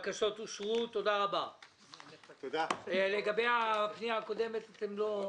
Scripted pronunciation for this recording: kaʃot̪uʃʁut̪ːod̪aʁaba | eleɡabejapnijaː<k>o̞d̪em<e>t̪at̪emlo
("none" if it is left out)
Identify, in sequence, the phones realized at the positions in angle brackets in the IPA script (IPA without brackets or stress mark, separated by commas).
k, e